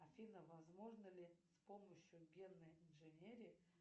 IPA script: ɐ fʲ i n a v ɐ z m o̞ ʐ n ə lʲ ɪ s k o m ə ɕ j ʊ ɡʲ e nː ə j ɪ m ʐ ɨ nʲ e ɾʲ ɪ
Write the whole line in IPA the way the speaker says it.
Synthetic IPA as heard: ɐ fʲ i n ə v ɐ z m o̞ ʐ n ə lʲ ɪ s p o m ə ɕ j ʊ ɡʲ e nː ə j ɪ n ʐ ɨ nʲ e ɾʲ ɪ